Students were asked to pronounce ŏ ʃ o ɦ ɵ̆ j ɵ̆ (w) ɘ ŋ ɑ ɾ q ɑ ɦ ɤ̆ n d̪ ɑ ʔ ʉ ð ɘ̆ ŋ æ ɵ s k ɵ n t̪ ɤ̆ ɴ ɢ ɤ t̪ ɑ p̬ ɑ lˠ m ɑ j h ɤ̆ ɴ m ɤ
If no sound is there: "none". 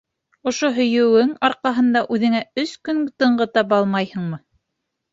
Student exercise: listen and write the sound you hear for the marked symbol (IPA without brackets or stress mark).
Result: w